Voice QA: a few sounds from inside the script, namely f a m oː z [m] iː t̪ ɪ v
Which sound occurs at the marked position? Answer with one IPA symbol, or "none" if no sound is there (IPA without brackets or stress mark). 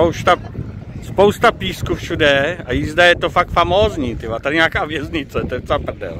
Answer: ɲ